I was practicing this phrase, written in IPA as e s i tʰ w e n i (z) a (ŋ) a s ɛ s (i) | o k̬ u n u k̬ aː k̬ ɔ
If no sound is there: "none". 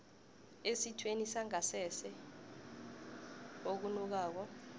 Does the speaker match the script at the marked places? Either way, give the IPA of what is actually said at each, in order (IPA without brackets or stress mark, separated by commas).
s, ŋ, ɛ